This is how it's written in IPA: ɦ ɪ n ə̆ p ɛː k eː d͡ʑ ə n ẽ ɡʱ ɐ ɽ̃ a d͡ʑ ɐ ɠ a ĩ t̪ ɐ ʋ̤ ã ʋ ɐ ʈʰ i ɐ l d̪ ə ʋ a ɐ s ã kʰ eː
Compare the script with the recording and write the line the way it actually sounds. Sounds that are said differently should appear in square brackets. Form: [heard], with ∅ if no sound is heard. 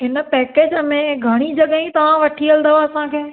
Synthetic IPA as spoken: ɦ ɪ n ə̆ p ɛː k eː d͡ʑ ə [m] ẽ ɡʱ ɐ ɽ̃ [i] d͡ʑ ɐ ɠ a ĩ t̪ ɐ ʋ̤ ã ʋ ɐ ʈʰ i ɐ l d̪ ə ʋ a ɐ s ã kʰ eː